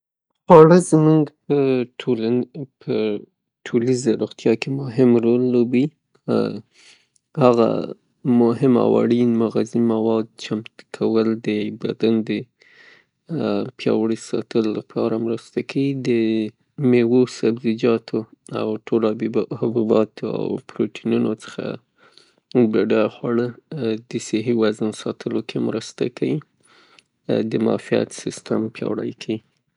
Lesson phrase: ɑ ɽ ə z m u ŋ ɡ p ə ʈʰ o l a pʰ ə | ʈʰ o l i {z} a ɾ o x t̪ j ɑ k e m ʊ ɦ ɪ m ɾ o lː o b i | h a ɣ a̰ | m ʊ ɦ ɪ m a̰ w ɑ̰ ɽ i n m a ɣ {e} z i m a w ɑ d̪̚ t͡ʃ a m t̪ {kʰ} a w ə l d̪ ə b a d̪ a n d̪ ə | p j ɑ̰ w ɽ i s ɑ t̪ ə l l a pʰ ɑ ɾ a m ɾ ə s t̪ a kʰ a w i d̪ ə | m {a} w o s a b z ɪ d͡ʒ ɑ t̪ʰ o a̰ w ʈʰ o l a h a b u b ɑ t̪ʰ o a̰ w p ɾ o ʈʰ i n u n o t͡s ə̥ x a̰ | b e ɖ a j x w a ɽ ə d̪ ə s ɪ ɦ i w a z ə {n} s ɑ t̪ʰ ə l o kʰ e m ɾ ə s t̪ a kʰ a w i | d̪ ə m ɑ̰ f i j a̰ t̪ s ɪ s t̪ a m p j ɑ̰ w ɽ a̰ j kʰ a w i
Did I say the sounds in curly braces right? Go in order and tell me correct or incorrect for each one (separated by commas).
correct, incorrect, correct, incorrect, correct